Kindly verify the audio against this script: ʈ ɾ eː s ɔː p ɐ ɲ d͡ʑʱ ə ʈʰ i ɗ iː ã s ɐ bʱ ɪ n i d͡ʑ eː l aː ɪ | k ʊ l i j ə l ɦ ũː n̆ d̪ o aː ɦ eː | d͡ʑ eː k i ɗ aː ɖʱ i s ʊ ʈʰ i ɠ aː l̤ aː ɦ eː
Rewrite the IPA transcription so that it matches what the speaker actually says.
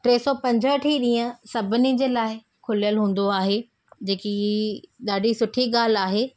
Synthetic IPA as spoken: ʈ ɾ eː s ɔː p ɐ̃ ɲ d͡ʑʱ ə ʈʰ i ɗ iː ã s ɐ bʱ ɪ n i d͡ʑ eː l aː ɪ | kʰ ʊ l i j ə l ɦ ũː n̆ d̪ o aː ɦ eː | d͡ʑ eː k i ɗ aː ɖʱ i s ʊ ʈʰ i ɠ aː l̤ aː ɦ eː